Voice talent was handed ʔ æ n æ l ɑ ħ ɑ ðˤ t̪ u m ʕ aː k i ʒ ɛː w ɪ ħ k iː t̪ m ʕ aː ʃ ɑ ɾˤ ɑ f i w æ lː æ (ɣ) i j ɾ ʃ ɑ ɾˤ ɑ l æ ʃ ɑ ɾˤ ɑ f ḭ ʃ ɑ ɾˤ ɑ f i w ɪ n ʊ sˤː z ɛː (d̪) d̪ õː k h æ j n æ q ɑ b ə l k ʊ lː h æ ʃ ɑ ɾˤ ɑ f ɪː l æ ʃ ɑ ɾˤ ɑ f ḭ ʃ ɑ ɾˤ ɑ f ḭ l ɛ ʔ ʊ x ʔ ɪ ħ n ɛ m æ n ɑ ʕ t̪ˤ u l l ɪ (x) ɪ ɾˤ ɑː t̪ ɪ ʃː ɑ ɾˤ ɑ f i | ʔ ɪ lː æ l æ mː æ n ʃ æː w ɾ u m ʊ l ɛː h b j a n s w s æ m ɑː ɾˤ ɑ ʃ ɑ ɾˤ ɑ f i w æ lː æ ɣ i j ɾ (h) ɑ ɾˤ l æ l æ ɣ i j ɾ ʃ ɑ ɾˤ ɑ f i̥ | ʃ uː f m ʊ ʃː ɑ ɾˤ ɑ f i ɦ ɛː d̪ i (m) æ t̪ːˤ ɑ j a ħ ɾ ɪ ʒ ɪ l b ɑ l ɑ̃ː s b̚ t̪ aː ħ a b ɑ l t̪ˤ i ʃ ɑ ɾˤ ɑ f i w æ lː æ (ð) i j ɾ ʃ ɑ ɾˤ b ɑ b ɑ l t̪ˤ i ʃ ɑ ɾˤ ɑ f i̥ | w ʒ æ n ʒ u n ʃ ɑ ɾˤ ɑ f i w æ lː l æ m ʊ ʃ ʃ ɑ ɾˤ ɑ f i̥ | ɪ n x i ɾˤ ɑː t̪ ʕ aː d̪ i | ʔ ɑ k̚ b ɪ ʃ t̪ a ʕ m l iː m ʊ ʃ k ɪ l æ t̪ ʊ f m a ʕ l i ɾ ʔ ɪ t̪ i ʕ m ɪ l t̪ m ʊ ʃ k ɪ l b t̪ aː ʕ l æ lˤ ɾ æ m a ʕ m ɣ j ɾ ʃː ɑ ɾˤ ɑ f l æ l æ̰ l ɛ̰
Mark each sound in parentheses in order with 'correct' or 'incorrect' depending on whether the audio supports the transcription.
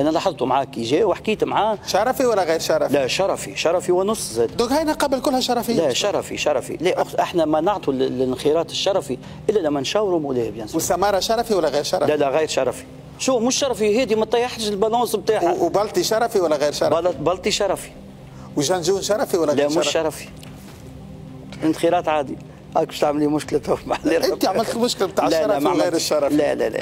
correct, correct, correct, incorrect: ʃ, correct, incorrect: ɣ

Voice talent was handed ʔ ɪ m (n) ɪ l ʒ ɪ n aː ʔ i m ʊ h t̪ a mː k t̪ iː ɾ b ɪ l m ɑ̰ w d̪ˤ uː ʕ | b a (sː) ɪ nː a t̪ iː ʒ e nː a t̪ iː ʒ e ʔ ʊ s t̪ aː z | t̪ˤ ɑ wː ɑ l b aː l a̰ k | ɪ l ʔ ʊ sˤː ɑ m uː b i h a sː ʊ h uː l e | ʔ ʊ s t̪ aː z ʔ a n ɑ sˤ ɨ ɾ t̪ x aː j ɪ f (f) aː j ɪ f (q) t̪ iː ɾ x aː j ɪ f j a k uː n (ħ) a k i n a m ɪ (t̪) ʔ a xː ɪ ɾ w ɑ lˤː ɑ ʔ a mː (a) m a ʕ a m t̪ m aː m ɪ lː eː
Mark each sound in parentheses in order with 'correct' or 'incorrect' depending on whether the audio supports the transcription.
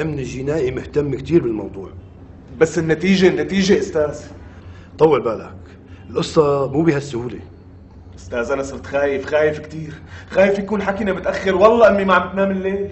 correct, correct, incorrect: x, incorrect: k, correct, correct, incorrect: i

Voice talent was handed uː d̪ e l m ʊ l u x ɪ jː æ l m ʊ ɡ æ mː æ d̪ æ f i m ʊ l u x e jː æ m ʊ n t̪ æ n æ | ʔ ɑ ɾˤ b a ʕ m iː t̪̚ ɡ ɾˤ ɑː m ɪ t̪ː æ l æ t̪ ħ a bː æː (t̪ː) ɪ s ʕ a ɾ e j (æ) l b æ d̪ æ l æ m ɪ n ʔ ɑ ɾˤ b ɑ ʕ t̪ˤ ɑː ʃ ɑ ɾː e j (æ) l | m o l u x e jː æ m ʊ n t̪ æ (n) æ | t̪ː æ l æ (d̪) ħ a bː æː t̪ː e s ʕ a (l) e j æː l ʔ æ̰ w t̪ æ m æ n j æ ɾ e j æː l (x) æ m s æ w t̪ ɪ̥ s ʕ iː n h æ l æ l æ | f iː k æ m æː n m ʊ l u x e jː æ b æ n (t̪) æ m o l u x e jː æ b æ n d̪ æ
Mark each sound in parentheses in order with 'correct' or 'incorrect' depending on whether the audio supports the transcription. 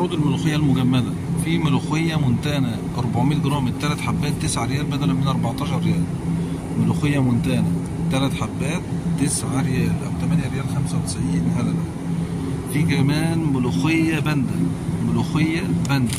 correct, incorrect: æː, incorrect: æː, correct, incorrect: t̪, incorrect: ɾ, correct, incorrect: d̪

